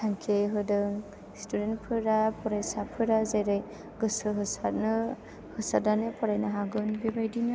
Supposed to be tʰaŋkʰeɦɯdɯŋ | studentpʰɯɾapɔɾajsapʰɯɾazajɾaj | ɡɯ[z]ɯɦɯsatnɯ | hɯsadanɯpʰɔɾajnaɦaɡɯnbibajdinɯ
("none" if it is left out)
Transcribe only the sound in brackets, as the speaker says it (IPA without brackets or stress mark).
s